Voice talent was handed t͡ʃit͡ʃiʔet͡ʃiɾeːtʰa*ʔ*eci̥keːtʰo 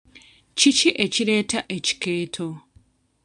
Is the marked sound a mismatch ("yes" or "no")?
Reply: no